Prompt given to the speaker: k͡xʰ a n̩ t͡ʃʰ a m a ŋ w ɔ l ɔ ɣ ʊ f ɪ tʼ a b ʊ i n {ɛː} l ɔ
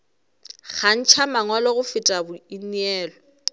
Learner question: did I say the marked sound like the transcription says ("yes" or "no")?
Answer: yes